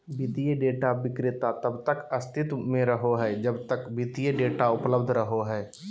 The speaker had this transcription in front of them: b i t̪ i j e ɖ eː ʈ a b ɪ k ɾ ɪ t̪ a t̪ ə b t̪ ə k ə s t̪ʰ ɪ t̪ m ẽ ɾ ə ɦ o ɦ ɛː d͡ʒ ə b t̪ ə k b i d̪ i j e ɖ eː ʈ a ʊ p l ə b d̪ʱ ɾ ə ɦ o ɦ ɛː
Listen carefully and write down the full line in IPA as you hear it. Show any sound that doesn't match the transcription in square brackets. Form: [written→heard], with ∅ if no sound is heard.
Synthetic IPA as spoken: b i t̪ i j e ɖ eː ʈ a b ɪ k ɾ ɪ t̪ a t̪ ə b t̪ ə k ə s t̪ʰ ɪ t̪ m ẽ ɾ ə ɦ o ɦ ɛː d͡ʒ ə b t̪ ə k b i [d̪→t̪] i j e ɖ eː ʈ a ʊ p l ə b d̪ʱ ɾ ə ɦ o ɦ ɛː

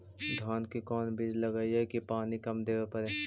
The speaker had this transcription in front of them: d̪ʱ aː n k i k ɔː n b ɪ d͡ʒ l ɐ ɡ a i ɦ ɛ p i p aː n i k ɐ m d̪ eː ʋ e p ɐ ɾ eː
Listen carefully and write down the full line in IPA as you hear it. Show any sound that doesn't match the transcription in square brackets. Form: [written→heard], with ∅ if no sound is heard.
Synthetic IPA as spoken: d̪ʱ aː n k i k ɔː n b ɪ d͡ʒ l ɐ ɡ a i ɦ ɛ [p→k] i p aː n i k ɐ m d̪ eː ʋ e p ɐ ɾ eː

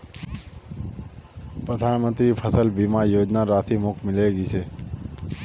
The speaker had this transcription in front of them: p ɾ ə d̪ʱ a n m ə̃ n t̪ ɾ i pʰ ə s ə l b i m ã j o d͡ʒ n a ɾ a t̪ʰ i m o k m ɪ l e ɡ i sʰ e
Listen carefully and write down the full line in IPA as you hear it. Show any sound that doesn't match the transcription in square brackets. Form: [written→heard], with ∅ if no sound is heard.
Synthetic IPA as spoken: p ɾ ə d̪ʱ a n m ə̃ n t̪ ɾ i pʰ ə s ə l b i m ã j o d͡ʒ n a ɾ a t̪ʰ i m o k m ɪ l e ɡ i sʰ e

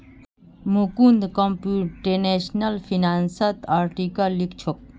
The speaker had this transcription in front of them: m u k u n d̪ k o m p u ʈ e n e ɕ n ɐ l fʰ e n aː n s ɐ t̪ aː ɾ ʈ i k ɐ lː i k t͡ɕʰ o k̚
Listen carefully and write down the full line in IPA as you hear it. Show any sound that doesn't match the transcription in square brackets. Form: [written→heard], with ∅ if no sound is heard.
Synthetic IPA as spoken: m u k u n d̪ k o m p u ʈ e n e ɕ n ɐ l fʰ [e→i] n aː n s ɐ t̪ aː ɾ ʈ i k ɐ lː i k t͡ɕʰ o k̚

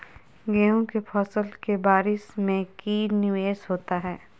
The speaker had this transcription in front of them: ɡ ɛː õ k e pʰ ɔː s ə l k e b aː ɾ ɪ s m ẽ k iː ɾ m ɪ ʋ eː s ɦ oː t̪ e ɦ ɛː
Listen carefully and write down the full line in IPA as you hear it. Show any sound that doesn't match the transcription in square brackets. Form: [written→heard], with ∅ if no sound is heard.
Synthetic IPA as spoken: ɡ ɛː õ k e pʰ ɔː s ə l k e b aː ɾ ɪ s m ẽ k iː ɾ [m→n] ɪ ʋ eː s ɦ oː t̪ [e→a] ɦ ɛː

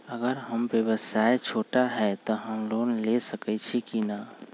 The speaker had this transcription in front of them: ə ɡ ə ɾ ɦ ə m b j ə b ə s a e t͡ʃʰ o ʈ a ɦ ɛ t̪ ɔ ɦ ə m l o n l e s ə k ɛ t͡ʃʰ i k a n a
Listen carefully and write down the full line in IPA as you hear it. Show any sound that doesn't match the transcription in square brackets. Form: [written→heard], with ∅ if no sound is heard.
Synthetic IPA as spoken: ə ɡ ə ɾ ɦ ə m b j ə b ə s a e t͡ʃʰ o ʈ a ɦ ɛ t̪ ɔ ɦ ə m l o n l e s ə k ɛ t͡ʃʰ i k [a→i] n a

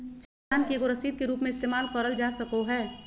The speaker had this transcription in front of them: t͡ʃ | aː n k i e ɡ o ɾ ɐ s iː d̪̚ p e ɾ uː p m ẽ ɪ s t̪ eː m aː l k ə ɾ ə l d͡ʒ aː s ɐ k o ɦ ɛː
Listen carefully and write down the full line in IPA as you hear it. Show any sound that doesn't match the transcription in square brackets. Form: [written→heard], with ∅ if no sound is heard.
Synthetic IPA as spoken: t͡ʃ | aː n k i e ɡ o ɾ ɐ s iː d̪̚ [p→k] e ɾ uː p m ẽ ɪ s t̪ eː m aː l k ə ɾ ə l d͡ʒ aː s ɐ k o ɦ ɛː

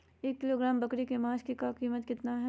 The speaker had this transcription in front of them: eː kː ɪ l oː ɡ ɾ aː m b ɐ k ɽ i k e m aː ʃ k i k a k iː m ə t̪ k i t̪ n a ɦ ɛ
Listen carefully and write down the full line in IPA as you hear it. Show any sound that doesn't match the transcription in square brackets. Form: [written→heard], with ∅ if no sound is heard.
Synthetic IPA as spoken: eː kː ɪ l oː ɡ ɾ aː m b ɐ k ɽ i k e m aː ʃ k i k a k iː m ə t̪ k [i→ɪ] t̪ n a ɦ ɛ

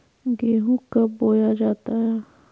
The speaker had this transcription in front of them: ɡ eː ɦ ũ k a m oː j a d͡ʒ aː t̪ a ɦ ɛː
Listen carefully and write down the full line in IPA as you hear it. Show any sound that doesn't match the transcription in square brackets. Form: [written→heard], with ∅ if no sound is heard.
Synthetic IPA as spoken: ɡ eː ɦ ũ k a [m→b] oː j a d͡ʒ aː t̪ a ɦ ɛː

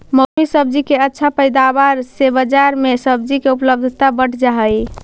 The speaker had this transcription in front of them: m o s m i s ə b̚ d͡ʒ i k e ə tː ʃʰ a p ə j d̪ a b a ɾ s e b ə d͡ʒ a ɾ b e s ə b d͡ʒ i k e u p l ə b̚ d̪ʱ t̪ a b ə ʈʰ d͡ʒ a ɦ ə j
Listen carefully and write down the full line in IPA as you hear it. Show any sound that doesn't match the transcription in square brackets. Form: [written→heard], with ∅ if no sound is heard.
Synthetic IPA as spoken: m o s m i s ə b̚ d͡ʒ i k e ə tː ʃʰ a p ə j d̪ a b a ɾ s e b ə d͡ʒ a ɾ [b→m] e s ə b d͡ʒ i k e u p l ə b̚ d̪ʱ t̪ a b ə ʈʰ d͡ʒ a ɦ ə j

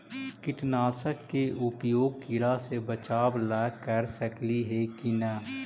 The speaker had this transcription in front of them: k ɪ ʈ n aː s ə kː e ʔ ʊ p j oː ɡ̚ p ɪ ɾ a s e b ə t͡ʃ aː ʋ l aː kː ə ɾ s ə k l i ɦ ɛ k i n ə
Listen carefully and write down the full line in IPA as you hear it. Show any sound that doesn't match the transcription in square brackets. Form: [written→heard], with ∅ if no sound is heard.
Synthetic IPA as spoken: k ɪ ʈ n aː s ə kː e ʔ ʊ p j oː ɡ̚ [p→k] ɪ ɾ a s e b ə t͡ʃ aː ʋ l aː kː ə ɾ s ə k l i ɦ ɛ k i n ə

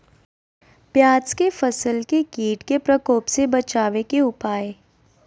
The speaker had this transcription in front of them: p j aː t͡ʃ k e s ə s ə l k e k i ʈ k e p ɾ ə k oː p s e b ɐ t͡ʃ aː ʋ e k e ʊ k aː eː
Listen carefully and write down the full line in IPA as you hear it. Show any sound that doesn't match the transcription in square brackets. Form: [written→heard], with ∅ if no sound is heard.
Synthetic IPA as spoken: p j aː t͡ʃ k e [s→f] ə s ə l k e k [i→iː] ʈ k e p ɾ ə k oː p s e b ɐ t͡ʃ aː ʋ e k e ʊ [k→p] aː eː

